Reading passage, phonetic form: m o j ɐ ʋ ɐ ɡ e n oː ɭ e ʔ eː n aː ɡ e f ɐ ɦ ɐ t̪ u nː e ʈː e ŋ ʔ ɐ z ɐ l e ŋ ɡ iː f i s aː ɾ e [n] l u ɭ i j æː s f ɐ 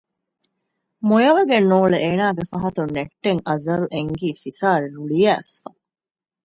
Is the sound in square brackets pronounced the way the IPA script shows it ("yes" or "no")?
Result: no